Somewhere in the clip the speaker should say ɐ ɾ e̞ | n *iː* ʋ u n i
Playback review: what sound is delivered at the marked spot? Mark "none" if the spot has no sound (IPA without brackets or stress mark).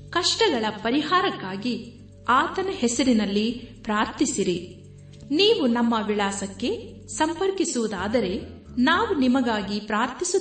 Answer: aː